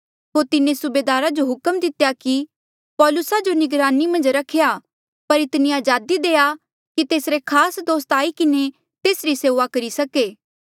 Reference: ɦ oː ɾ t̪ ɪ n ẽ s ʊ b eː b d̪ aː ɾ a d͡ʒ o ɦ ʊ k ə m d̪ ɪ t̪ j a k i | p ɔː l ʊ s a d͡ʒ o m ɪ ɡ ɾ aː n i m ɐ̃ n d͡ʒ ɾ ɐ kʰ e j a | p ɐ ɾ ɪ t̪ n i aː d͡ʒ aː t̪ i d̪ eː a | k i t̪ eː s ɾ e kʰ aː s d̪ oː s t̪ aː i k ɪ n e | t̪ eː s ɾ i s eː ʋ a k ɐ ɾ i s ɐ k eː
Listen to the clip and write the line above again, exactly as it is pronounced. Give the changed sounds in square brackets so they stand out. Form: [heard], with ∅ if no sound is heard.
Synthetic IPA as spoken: ɦ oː ɾ t̪ ɪ n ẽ s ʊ b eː [∅] d̪ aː ɾ a d͡ʒ o ɦ ʊ k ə m d̪ ɪ t̪ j a k i | p ɔː l ʊ s a d͡ʒ o [n] ɪ ɡ ɾ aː n i m ɐ̃ n d͡ʒ ɾ ɐ kʰ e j a | p ɐ ɾ ɪ t̪ n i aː d͡ʒ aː [d̪] i d̪ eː a | k i t̪ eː s ɾ e kʰ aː s d̪ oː s t̪ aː i k ɪ n e | t̪ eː s ɾ i s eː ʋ a k ɐ ɾ i s ɐ k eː